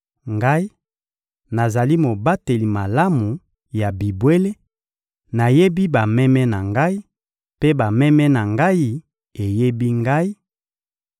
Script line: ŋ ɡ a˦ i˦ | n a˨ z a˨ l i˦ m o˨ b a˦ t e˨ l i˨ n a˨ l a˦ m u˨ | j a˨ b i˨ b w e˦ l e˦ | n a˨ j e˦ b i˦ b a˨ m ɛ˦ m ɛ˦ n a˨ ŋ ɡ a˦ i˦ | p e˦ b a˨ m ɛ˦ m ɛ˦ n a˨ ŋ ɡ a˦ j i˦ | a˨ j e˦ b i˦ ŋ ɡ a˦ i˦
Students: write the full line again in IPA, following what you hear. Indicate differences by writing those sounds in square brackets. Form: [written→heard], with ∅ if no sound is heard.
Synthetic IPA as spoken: ŋ ɡ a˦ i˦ | n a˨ z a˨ l i˦ m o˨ b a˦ t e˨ l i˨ [n→m] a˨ l a˦ m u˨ | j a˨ b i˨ b w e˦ l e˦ | n a˨ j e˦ b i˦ b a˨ m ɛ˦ m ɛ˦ n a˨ ŋ ɡ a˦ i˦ | p e˦ b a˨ m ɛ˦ m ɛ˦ n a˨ ŋ ɡ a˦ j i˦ | [a˨→e˨] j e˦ b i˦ ŋ ɡ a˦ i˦